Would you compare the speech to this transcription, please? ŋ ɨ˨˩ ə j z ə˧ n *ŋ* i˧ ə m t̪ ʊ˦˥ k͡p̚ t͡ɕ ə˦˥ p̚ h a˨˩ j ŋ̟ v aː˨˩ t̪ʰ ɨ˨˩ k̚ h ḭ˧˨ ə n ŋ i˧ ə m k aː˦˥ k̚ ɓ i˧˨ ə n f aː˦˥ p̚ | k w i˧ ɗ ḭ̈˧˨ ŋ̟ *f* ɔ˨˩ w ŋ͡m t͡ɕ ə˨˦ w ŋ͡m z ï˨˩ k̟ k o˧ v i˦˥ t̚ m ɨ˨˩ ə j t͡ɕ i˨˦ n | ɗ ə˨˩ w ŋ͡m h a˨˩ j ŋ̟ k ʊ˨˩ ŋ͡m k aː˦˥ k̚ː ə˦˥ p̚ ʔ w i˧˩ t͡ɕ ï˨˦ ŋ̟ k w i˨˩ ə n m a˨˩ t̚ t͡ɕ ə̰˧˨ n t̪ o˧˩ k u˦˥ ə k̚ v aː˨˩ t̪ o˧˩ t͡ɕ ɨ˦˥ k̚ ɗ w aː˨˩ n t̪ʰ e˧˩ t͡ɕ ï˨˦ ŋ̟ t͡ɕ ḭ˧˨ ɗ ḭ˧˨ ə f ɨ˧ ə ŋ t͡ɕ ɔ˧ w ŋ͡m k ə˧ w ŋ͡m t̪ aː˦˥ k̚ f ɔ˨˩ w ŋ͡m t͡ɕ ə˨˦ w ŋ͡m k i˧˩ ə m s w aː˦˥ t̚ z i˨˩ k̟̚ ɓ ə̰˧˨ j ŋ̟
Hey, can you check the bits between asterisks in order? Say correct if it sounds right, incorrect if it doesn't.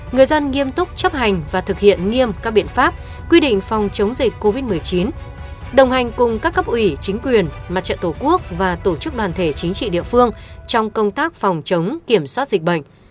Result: correct, correct

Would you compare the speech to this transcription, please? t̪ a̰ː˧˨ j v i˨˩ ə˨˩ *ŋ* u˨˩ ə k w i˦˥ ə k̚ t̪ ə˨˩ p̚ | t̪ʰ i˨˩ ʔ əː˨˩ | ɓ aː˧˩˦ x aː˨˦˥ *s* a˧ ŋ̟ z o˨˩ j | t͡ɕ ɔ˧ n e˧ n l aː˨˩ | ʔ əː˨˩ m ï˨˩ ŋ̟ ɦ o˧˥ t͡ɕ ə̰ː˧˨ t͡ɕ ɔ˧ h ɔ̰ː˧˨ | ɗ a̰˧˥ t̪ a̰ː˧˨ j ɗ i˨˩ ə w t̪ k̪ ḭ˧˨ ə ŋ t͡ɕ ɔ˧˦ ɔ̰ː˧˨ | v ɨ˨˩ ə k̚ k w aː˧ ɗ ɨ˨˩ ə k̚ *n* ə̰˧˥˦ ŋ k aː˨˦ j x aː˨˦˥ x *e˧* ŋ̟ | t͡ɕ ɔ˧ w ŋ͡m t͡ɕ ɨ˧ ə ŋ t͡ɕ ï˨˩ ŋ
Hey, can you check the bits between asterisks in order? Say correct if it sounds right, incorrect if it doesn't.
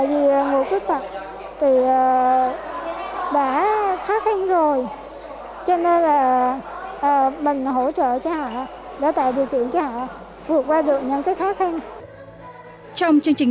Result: correct, incorrect: x, incorrect: ɲ, incorrect: a˧

